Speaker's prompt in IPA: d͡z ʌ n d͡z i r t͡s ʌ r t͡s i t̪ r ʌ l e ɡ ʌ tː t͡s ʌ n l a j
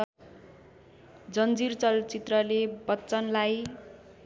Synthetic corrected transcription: d͡z ʌ n d͡z i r t͡s ʌ l t͡s i t̪ r ʌ l e b ʌ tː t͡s ʌ n l a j